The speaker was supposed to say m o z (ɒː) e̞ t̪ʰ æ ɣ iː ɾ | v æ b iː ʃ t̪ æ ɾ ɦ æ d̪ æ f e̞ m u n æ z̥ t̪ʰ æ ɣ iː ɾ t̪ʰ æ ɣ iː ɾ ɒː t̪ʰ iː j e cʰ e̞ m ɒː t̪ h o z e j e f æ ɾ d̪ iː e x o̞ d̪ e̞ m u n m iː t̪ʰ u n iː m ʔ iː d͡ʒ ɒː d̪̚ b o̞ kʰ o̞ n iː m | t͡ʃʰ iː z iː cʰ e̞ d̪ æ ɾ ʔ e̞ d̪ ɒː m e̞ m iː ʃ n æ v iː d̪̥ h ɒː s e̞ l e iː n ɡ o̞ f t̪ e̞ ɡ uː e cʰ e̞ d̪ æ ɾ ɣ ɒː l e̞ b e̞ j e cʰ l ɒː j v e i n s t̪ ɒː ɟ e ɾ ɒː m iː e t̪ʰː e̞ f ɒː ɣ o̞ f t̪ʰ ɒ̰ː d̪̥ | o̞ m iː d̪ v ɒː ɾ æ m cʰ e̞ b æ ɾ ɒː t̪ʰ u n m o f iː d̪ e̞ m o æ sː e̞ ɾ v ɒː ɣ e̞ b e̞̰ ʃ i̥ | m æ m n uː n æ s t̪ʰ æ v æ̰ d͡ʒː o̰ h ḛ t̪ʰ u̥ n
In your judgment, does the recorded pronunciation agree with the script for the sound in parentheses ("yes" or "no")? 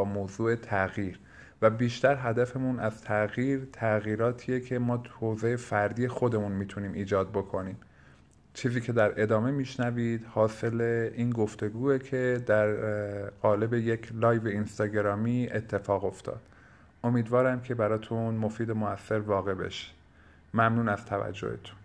no